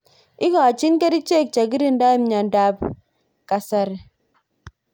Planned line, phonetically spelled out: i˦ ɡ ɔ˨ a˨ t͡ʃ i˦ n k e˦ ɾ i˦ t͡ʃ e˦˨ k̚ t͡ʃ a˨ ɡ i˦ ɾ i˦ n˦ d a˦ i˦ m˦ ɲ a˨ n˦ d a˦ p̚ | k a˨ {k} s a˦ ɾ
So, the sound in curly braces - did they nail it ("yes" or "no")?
no